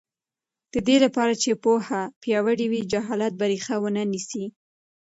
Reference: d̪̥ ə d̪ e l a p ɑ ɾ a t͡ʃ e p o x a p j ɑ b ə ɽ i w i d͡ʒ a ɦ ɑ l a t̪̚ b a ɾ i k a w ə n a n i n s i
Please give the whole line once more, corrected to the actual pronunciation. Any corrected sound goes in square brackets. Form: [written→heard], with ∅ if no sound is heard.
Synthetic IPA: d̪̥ ə d̪ e l a p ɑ ɾ a t͡ʃ e p o [x→h] a p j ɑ [b→w] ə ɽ i w i d͡ʒ a ɦ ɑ l a t̪̚ b a ɾ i [k→x] a w ə n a n i [n→∅] s i